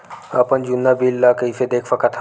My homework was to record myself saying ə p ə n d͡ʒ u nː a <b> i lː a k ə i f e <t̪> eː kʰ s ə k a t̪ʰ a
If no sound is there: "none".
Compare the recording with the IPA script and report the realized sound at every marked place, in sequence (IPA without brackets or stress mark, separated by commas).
b, d̪